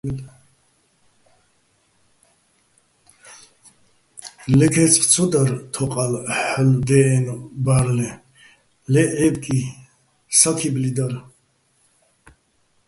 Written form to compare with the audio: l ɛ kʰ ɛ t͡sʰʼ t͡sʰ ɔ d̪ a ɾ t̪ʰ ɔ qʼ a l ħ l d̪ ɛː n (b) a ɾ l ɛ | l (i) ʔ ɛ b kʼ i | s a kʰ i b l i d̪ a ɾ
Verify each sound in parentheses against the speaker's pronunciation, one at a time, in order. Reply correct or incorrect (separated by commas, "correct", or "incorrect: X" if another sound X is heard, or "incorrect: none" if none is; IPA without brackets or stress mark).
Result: correct, incorrect: ɛ